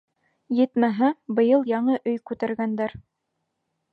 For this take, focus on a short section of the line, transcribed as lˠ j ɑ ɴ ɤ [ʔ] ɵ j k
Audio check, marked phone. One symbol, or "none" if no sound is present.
ʔ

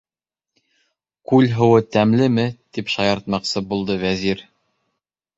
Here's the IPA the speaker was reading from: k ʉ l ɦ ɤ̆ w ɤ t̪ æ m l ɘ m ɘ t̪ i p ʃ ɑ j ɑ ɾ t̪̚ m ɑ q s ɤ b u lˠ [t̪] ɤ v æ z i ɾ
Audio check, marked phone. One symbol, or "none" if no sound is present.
d̪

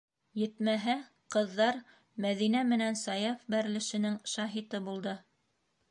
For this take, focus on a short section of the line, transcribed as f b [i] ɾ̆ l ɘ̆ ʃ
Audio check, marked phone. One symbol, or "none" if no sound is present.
æ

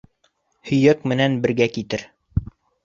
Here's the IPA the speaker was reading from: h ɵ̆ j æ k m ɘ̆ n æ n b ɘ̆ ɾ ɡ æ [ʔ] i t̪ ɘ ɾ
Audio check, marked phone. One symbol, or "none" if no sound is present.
k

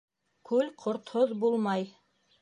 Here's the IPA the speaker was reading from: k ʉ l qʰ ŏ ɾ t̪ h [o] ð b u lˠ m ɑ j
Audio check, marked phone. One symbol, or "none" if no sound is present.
o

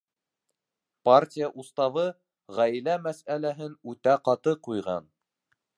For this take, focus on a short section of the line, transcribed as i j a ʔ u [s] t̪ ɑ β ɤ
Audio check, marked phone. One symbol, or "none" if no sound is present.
s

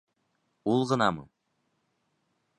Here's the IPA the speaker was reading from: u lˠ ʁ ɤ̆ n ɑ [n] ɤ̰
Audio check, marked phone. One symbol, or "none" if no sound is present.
m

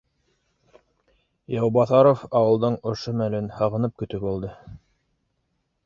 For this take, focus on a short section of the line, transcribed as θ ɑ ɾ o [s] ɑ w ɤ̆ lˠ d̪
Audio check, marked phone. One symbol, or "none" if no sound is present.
f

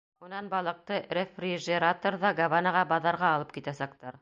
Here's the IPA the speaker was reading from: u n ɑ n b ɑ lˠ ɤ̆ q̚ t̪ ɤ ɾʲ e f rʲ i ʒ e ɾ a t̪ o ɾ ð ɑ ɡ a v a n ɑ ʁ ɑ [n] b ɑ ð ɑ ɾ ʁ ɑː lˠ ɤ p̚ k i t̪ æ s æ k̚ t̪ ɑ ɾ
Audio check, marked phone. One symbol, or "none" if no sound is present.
none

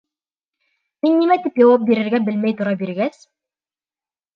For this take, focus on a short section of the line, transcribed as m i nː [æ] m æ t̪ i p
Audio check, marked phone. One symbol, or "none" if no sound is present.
i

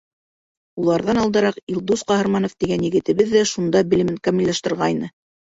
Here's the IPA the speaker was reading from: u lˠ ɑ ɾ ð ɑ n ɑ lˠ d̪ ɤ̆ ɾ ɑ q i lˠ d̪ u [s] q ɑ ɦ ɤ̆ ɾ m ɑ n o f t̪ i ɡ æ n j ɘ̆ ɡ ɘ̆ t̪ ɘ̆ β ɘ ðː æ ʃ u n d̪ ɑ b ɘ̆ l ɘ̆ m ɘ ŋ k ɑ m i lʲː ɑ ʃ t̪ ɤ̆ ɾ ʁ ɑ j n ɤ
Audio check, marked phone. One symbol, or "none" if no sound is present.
s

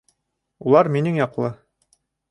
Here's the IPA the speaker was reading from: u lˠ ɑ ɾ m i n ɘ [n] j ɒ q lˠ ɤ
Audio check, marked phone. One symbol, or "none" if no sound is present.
ŋ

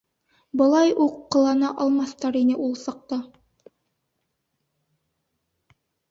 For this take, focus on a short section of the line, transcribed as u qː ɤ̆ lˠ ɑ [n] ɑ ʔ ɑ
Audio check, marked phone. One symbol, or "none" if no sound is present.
n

